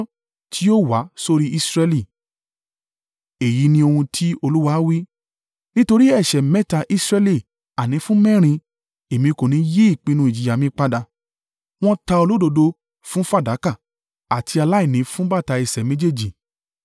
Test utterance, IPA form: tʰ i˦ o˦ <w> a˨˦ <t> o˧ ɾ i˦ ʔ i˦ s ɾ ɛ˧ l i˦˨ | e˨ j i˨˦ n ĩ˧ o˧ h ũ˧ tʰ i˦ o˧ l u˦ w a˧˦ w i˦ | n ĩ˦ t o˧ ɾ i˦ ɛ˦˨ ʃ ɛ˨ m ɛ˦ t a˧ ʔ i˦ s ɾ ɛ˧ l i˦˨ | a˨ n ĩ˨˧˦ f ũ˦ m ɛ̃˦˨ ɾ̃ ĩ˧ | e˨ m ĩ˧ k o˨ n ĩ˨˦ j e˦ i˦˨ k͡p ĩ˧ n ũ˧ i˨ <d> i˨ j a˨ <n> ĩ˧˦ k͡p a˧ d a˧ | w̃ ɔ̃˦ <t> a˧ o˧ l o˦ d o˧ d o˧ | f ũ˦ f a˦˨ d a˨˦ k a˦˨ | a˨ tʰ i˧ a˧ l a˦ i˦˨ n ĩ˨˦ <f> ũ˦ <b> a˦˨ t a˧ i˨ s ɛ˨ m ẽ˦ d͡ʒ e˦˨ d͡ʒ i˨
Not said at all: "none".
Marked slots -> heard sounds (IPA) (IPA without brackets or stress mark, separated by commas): w, s, d͡ʒ, m, t, f, b